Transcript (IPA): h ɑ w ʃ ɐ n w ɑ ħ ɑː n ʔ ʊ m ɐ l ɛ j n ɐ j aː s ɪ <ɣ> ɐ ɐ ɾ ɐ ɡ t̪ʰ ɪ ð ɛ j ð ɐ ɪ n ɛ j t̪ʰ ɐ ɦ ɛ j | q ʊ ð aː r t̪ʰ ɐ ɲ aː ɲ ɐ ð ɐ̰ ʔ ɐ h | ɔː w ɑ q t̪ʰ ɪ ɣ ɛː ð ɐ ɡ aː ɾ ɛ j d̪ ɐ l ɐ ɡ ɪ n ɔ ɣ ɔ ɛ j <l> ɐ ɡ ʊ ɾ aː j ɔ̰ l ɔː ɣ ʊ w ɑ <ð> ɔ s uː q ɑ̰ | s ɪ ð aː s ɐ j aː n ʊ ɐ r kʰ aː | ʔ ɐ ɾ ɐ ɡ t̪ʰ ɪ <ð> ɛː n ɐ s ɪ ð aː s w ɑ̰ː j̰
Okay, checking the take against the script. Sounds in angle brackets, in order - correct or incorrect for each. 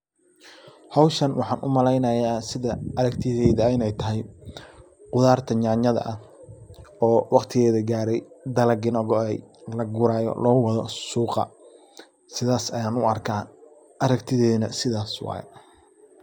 incorrect: ð, correct, correct, correct

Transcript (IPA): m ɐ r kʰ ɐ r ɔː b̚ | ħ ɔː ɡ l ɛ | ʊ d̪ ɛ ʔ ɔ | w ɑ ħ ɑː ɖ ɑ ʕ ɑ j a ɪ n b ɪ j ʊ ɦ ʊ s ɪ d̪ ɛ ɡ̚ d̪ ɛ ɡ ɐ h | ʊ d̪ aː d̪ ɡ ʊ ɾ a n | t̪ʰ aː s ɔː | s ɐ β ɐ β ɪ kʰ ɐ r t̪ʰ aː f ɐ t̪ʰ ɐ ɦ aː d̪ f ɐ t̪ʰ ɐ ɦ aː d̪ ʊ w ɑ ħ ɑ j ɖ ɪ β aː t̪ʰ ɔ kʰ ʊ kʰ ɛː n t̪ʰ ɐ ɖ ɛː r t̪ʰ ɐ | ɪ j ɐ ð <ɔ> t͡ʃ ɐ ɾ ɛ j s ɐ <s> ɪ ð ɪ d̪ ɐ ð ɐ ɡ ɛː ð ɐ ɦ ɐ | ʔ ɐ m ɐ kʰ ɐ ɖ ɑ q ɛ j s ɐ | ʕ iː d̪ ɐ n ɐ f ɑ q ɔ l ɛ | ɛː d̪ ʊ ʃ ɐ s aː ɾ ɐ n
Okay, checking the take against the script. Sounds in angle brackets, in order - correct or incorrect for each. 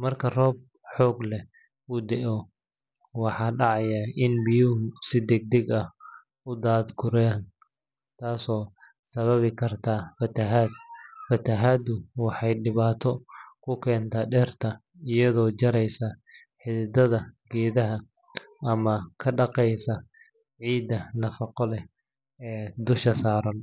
incorrect: ɔː, incorrect: ħ

